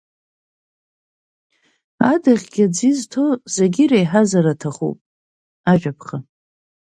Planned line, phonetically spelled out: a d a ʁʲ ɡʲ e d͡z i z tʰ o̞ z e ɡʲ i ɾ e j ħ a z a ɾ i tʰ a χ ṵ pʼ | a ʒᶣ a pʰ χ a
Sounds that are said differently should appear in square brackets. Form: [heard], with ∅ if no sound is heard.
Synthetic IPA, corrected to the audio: a d a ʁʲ ɡʲ [a] d͡z i z tʰ o̞ z e ɡʲ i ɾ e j ħ a z a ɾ [a] tʰ a χ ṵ pʼ | a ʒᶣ a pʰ χ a

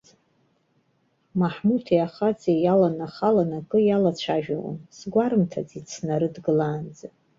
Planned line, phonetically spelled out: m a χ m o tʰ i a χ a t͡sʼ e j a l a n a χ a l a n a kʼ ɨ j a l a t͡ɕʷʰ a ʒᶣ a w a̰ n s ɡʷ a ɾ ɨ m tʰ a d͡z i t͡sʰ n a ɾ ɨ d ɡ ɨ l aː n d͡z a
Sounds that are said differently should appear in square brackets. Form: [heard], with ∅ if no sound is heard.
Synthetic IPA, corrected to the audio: m a [ħ] m [u] tʰ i a χ a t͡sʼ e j a l a n a χ a l a n a kʼ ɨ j a l a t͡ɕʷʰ a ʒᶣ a w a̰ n s ɡʷ a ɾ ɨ m tʰ a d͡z i t͡sʰ n a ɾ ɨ d ɡ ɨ l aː n d͡z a

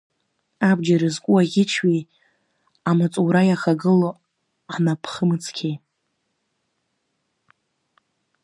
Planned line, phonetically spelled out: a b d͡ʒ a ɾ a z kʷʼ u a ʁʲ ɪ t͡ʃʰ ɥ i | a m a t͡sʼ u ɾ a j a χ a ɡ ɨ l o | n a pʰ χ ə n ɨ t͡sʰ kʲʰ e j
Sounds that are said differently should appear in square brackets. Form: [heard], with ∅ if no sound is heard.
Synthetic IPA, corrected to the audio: a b d͡ʒ a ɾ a z kʷʼ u a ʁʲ ɪ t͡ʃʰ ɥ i | a m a t͡sʼ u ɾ a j a χ a ɡ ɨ l o | n a pʰ χ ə [m] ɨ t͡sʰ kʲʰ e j

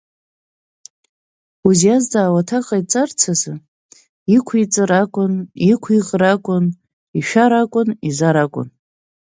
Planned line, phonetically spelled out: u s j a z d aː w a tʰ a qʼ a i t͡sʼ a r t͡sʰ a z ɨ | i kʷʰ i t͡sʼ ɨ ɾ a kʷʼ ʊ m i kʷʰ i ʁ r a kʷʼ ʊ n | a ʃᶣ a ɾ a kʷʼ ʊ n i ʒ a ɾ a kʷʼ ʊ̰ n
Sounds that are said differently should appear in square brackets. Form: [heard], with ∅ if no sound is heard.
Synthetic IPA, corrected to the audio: u [z] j a z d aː w a tʰ a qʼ a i t͡sʼ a r t͡sʰ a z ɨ | i kʷʰ i t͡sʼ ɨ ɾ a kʷʼ ʊ [n] i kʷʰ i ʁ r a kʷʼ ʊ n | [i] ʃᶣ a ɾ a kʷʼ ʊ n i [z] a ɾ a kʷʼ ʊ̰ n

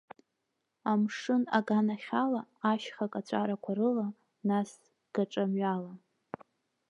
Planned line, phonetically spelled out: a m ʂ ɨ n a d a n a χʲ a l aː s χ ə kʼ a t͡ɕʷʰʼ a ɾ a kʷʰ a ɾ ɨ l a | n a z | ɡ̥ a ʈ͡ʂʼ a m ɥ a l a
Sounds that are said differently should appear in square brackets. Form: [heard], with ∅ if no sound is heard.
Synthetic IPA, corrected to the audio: a m ʂ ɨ n a [ɡ] a n a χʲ a l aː [ʃ] χ [a] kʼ a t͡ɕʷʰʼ a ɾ a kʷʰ a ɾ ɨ l a | n a [s] | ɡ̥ a ʈ͡ʂʼ a m ɥ a l a

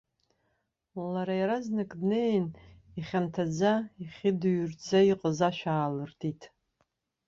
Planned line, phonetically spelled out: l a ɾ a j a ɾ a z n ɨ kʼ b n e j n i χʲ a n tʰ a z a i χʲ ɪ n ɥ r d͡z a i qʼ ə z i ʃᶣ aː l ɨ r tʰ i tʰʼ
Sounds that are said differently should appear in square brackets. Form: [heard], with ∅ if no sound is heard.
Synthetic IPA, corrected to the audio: l a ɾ a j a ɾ a z n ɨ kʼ [d] n e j n i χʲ a n tʰ a [d͡z] a i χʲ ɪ [d] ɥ r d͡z a i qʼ ə z [a] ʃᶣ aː l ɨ r tʰ i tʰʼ

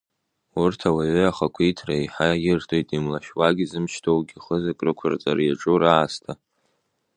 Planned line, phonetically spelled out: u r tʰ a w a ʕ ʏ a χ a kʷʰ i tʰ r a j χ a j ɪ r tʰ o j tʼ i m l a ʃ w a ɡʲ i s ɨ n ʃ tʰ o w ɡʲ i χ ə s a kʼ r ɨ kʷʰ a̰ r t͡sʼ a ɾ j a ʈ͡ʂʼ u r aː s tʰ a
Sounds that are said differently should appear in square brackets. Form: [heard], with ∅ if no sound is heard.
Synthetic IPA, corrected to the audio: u r tʰ a w a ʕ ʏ a χ a kʷʰ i tʰ r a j [ħ] a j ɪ r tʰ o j tʼ i m l a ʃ w a ɡʲ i [z] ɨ [m] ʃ tʰ o w ɡʲ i χ ə [z] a kʼ r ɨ kʷʰ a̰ r t͡sʼ a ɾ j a ʈ͡ʂʼ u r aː s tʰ a

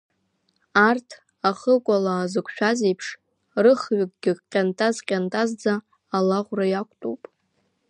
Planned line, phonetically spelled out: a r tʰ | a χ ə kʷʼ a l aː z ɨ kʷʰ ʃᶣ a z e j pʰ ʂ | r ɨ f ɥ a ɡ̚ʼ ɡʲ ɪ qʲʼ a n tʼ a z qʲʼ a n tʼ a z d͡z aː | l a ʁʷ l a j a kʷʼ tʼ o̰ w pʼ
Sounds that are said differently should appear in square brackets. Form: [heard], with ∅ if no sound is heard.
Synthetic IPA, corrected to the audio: a r tʰ | a χ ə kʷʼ a l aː z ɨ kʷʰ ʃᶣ a z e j pʰ ʂ | r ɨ [χ] ɥ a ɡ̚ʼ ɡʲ ɪ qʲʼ a n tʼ a z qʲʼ a n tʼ a z d͡z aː | l a ʁʷ [r] a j a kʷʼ tʼ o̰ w pʼ

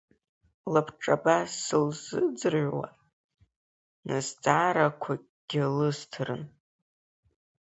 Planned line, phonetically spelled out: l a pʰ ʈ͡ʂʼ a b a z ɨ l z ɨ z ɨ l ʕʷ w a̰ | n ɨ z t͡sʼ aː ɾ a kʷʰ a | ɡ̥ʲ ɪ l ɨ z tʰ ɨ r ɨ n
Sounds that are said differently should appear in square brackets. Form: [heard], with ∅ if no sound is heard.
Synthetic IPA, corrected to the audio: l a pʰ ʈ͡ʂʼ a b a [s] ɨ l z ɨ [d͡z] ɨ [r] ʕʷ w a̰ | n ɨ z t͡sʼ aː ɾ a kʷʰ a | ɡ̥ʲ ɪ l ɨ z tʰ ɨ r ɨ n

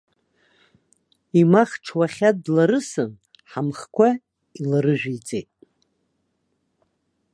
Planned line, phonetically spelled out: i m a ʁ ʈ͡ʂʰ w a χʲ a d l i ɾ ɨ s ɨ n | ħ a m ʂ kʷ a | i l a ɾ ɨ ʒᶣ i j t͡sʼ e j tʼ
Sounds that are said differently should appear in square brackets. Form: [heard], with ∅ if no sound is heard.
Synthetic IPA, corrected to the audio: i m a [χ] ʈ͡ʂʰ w a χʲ a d l [a] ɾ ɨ s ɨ n | ħ a m [χ] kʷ a | i l a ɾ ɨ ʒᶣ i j t͡sʼ e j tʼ

